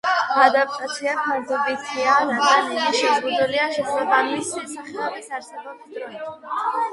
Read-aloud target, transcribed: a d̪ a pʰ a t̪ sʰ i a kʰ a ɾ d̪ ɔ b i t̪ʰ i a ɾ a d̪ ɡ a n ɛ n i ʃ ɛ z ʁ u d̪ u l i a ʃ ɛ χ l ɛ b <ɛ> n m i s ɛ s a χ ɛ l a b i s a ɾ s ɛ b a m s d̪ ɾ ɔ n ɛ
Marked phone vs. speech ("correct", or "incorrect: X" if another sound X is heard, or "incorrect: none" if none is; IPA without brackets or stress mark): incorrect: a